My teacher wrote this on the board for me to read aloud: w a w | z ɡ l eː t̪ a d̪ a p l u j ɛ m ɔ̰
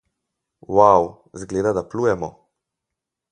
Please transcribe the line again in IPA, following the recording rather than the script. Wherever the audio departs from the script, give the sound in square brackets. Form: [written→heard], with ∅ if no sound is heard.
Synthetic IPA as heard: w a w | z ɡ l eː [t̪→d̪] a d̪ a p l u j ɛ m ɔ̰